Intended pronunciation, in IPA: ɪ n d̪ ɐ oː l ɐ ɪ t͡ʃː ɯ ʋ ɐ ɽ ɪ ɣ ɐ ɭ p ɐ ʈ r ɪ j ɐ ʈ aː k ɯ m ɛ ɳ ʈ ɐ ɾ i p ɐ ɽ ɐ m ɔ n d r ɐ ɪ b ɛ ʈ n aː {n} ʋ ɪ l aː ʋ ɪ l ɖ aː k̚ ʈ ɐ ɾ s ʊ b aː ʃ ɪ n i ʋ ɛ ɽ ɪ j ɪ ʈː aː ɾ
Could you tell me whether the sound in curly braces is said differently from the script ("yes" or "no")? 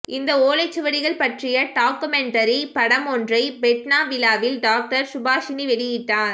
yes